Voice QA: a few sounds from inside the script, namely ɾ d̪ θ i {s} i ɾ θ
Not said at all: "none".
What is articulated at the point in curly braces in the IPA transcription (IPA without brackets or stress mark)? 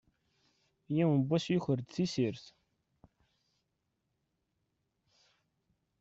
s